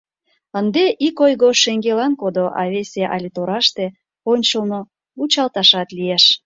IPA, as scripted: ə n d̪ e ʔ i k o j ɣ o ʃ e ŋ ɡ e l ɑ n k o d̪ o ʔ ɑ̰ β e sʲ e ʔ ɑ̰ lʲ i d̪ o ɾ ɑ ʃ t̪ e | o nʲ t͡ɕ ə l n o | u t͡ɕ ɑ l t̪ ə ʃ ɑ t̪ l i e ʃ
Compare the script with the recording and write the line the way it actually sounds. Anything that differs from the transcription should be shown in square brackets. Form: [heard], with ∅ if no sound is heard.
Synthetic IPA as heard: ə n d̪ e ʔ i k o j ɣ o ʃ e ŋ ɡ e l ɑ n k o d̪ o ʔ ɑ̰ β e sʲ e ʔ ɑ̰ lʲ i [t̪] o ɾ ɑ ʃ t̪ e | o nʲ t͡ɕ ə l n o | u t͡ɕ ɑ l t̪ [ɑ] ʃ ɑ t̪ l i e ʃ